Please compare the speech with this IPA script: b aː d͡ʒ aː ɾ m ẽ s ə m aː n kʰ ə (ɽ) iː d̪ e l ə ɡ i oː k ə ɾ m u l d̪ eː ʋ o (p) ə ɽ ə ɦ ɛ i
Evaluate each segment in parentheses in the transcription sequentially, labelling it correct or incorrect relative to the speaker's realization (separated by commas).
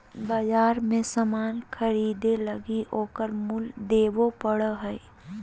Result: incorrect, correct